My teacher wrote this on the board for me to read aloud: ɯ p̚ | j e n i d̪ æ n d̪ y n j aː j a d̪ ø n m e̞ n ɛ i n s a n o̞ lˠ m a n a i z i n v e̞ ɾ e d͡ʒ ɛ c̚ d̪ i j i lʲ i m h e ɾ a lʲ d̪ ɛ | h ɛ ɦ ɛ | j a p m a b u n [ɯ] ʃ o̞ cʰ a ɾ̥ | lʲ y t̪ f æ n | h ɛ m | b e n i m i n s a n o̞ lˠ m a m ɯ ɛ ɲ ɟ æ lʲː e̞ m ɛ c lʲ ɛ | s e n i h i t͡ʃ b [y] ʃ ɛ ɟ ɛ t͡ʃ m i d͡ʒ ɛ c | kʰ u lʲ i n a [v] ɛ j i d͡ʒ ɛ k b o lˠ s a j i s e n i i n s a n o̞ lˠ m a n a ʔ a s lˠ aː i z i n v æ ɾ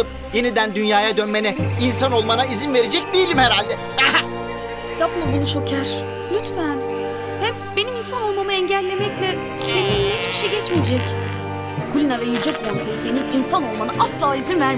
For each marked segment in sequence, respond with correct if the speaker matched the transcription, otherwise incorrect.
incorrect: u, incorrect: i, correct

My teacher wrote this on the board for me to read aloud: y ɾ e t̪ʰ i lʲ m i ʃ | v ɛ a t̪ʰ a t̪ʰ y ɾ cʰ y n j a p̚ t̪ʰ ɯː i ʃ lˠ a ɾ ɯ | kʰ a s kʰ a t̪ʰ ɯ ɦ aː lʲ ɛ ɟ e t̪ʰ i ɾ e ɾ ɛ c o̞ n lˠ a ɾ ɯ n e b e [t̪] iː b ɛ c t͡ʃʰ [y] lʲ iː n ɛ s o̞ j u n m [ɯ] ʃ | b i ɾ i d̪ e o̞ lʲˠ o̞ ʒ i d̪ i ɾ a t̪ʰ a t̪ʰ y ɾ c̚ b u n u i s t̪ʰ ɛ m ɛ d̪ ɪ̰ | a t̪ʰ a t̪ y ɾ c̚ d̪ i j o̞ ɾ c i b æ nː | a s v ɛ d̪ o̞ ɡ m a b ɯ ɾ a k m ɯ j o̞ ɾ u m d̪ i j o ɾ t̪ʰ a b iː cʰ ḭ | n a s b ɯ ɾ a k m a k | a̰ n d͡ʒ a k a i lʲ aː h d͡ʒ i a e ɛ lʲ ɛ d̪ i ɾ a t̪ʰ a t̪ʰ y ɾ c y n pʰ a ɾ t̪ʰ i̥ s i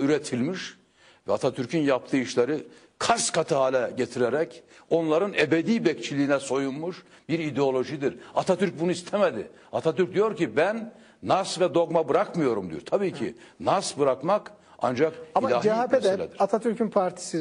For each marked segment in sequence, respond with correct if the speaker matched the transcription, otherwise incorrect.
incorrect: d̪, incorrect: i, incorrect: u

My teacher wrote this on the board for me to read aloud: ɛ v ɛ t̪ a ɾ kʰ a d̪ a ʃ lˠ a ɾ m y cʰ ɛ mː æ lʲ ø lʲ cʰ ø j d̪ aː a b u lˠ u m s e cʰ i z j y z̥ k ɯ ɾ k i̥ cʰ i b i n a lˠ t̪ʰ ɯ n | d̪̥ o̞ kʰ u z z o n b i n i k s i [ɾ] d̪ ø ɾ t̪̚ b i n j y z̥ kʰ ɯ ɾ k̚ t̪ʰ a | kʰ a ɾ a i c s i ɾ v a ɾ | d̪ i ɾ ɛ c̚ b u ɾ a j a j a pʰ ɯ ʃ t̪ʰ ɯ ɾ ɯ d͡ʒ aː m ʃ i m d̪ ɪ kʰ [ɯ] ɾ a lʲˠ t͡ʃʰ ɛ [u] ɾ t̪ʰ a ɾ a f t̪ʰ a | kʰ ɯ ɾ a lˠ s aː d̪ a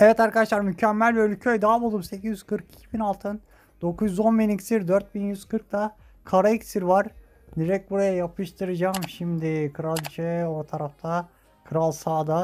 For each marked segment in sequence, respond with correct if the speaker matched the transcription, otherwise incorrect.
correct, correct, incorrect: o

